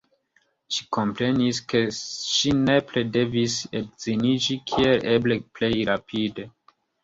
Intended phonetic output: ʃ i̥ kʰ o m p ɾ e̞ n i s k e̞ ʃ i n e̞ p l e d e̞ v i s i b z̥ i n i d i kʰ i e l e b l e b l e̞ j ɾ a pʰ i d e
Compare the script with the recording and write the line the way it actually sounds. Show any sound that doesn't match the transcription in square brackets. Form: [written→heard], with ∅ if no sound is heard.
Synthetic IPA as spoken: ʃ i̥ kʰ o m p ɾ e̞ n i s k e̞ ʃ i n e̞ p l e d e̞ v i s [i→e] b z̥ i n i [d→d͡ʒ] i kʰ i e l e b l e [b→p] l e̞ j ɾ a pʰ i d e